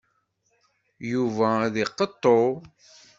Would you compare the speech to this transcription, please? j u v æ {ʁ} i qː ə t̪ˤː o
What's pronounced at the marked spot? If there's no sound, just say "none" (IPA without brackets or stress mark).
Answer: ð